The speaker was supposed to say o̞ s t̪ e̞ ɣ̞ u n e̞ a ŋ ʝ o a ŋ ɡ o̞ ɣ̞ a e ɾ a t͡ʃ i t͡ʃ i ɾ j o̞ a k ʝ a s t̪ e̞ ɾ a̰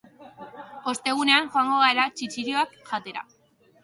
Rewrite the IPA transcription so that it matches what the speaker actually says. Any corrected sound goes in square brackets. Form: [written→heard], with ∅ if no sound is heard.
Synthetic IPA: o̞ s t̪ e̞ ɣ̞ u n e̞ a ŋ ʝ o a ŋ ɡ o̞ ɣ̞ a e ɾ a t͡ʃ i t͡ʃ i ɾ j o̞ a k ʝ a [s→∅] t̪ e̞ ɾ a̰